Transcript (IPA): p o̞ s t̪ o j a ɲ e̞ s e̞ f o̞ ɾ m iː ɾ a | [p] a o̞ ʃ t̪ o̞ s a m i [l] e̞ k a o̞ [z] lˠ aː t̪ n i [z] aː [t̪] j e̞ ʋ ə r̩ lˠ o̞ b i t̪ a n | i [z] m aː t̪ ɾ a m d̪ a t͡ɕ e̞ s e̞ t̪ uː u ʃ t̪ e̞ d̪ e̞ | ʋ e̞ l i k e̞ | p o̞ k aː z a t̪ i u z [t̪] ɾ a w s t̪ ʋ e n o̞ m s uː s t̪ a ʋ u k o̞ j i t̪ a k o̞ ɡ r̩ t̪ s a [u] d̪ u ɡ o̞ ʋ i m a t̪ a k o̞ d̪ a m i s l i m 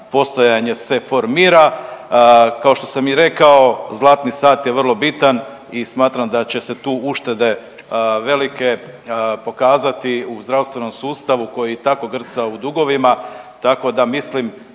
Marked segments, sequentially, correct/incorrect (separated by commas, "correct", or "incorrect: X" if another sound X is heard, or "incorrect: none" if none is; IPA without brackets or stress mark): incorrect: k, incorrect: ɾ, correct, incorrect: s, correct, incorrect: s, incorrect: d̪, correct